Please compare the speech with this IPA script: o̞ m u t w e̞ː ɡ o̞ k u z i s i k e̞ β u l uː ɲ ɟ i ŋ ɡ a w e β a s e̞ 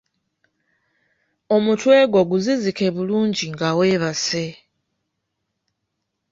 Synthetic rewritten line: o̞ m u t w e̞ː ɡ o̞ ɡ u z i z i k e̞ β u l uː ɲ ɟ i ŋ ɡ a w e β a s e̞